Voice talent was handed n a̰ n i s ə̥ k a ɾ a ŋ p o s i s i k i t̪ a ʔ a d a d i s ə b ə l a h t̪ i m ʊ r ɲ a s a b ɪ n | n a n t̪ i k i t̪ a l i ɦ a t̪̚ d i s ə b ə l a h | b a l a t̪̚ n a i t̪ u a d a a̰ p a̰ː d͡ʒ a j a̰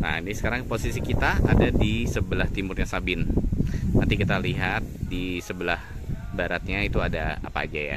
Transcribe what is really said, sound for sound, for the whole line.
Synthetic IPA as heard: n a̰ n i s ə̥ k a ɾ a ŋ p o s i s i k i t̪ a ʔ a d a d i s ə b ə l a h t̪ i m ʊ r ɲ a s a b ɪ n | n a n t̪ i k i t̪ a l i ɦ a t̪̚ d i s ə b ə l a h | b a ɾ a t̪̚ ɲ a i t̪ u a d a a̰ p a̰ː d͡ʒ a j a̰